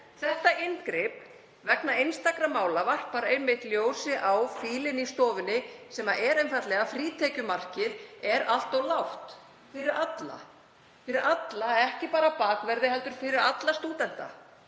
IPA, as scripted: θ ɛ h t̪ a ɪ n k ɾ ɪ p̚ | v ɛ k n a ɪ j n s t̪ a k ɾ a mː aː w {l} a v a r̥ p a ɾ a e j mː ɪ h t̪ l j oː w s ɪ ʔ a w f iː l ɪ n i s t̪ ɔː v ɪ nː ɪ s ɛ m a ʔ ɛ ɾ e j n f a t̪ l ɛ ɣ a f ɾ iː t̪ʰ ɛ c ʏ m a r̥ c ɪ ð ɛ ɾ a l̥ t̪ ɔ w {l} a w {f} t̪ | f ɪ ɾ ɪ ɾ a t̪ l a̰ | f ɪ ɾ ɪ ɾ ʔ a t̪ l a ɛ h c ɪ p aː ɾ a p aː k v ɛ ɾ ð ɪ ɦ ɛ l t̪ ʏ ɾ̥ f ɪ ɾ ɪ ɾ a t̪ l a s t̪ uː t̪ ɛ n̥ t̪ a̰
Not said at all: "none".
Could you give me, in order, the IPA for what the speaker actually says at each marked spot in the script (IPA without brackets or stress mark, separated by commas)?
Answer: l, l, h